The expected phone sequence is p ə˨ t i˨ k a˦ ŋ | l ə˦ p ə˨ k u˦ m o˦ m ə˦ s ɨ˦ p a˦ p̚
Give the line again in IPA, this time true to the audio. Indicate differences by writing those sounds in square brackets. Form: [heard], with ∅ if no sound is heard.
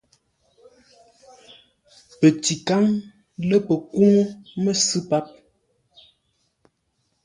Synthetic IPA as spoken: p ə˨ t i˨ k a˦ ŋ | l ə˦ p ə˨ k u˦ [ŋ] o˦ m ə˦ s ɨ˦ p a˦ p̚